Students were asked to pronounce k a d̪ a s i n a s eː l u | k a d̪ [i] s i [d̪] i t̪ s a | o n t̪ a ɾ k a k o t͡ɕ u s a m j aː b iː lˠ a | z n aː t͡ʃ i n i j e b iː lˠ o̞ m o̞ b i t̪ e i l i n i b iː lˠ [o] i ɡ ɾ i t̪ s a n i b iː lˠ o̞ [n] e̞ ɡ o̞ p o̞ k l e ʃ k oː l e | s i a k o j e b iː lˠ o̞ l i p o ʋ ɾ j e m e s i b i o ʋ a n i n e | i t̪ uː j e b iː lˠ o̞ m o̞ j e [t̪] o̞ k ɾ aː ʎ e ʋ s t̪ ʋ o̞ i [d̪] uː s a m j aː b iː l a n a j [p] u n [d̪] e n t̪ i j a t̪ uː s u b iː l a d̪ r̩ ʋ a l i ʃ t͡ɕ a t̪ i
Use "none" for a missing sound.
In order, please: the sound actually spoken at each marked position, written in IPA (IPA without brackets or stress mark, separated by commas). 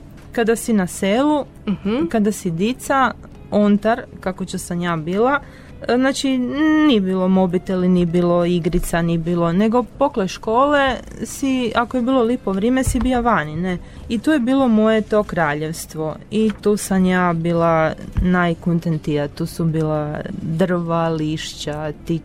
a, d̪, o, n, t̪, t̪, k, t̪